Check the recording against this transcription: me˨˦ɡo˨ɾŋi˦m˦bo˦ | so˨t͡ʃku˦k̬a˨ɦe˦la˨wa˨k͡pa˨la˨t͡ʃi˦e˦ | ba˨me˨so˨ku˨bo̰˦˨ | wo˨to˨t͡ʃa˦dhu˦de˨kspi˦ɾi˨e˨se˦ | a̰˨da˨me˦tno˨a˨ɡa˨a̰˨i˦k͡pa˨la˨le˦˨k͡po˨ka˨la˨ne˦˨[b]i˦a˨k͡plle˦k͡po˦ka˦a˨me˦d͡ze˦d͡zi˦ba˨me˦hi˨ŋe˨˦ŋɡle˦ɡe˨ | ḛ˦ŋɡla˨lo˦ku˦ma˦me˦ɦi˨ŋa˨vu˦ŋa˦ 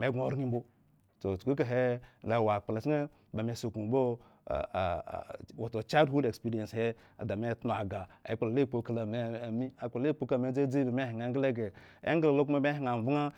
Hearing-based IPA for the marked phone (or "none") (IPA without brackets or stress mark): m